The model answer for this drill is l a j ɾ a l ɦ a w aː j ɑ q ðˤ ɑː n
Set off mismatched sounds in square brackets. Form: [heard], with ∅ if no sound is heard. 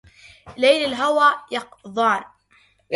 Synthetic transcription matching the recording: l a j [l] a l ɦ a w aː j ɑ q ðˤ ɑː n